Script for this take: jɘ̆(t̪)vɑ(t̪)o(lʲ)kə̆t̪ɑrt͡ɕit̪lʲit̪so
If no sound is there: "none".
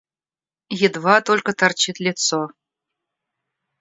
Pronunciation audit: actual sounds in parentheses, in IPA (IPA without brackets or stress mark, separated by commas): d̪, t̪, lʲ